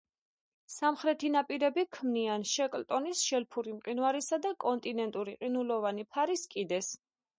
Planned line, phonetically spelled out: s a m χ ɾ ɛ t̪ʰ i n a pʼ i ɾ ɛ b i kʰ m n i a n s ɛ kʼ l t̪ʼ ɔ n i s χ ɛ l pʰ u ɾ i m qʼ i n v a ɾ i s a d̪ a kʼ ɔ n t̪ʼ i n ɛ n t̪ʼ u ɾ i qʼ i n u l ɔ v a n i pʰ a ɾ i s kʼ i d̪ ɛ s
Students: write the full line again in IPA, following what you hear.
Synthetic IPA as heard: s a m χ ɾ ɛ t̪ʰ i n a pʼ i ɾ ɛ b i kʰ m n i a n ʃ ɛ kʼ l t̪ʼ ɔ n i s ʃ ɛ l pʰ u ɾ i m qʼ i n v a ɾ i s a d̪ a kʼ ɔ n t̪ʼ i n ɛ n t̪ʼ u ɾ i qʼ i n u l ɔ v a n i pʰ a ɾ i s kʼ i d̪ ɛ s